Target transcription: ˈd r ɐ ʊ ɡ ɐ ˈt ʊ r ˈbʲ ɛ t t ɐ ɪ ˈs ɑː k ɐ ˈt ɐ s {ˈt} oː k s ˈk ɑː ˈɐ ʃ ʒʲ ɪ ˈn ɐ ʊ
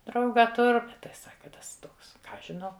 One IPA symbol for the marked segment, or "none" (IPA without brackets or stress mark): t